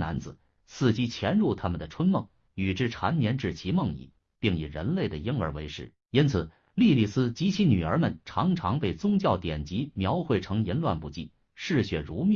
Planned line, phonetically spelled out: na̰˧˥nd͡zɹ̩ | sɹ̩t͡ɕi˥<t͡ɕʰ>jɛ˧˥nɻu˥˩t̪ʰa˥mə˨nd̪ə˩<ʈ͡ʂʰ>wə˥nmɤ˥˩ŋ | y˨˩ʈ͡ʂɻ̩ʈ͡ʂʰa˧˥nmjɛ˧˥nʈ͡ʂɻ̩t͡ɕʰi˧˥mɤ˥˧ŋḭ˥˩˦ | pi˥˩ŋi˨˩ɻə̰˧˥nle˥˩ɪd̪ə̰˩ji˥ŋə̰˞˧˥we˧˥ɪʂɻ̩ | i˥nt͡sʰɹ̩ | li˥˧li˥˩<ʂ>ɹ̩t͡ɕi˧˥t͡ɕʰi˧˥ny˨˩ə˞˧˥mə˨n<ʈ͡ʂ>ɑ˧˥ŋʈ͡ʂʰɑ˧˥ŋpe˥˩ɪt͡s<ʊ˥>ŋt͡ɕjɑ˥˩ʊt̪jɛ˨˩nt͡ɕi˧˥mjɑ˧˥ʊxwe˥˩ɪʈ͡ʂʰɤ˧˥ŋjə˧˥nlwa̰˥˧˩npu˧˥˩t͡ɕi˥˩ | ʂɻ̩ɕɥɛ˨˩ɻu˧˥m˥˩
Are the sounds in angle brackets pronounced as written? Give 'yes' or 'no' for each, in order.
yes, yes, no, no, yes

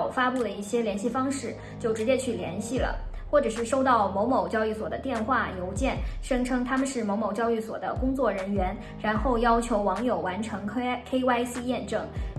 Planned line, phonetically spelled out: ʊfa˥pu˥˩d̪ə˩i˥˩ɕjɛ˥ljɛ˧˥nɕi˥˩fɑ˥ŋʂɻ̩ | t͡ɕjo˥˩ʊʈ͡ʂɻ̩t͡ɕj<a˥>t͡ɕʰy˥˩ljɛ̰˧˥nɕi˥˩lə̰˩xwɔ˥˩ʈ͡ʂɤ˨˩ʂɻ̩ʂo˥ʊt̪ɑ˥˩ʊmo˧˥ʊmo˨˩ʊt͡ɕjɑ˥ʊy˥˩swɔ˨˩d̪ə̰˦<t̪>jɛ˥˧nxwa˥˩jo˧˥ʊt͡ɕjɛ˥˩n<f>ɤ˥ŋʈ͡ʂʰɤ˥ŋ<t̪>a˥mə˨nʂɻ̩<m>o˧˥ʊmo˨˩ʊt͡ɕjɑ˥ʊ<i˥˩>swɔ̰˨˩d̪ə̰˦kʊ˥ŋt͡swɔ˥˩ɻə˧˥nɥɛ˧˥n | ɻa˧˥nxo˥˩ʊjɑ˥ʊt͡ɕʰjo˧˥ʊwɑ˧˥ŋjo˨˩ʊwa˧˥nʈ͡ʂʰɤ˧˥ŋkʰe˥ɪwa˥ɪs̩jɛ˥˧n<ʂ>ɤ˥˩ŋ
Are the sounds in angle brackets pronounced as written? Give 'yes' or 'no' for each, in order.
no, yes, no, no, yes, no, no

